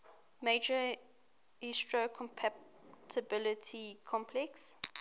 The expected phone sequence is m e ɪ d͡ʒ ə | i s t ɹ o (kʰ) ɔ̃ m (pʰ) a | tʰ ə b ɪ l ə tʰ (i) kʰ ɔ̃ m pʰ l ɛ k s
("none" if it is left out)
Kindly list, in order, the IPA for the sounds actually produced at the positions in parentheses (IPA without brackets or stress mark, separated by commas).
kʰ, pʰ, i